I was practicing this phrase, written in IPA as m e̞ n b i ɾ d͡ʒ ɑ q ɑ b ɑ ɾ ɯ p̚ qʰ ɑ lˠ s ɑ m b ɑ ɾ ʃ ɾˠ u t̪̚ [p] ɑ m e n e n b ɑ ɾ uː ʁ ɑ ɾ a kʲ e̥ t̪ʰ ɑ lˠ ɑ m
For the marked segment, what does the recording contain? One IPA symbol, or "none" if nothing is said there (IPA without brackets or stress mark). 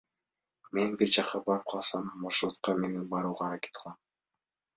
q